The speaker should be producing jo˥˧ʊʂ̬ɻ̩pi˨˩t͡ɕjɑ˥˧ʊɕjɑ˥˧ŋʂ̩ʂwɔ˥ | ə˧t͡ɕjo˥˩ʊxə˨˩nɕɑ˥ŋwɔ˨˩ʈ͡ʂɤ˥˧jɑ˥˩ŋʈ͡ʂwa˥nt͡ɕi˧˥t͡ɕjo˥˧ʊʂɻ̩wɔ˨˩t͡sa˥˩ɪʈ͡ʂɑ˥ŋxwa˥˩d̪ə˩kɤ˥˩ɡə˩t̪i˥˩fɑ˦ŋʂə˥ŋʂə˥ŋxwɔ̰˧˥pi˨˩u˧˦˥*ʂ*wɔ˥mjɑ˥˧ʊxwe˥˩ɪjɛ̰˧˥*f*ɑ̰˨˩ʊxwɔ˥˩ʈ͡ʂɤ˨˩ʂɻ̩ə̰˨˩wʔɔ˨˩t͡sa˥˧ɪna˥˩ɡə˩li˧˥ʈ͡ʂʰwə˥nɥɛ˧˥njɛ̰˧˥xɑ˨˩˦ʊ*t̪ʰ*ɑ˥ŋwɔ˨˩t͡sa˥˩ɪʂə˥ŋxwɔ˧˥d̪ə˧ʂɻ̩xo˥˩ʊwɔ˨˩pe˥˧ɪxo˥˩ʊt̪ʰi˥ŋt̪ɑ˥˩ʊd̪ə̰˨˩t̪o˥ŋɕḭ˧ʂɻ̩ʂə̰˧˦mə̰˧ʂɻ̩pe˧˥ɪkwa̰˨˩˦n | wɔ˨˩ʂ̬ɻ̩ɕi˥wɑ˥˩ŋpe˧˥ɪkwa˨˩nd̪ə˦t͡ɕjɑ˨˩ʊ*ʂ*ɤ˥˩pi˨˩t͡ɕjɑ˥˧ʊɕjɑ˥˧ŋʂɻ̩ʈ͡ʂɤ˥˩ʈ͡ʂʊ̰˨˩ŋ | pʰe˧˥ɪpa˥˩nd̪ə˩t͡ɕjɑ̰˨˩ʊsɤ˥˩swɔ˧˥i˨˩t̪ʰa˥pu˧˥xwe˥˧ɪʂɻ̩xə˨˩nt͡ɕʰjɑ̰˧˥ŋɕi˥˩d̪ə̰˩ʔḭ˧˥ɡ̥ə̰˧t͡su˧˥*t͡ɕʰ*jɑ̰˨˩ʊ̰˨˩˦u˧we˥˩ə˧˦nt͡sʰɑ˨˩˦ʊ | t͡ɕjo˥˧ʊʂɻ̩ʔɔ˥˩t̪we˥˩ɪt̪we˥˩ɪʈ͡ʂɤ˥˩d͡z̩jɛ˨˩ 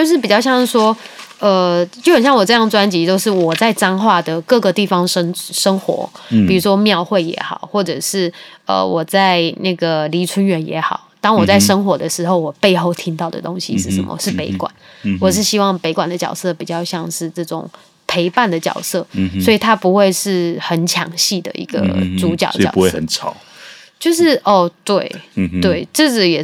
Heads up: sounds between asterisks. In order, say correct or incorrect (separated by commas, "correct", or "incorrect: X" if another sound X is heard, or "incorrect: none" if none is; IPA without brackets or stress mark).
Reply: correct, incorrect: x, incorrect: t̪, incorrect: s, incorrect: t͡ɕ